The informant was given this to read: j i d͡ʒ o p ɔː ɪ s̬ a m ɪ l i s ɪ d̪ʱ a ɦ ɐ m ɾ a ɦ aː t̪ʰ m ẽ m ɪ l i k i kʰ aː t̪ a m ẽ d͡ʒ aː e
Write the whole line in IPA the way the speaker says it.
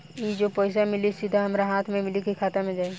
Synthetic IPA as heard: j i d͡ʒ o p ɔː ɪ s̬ a m ɪ l i s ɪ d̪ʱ a ɦ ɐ m ɾ a ɦ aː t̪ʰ m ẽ m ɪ l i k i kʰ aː t̪ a m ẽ d͡ʒ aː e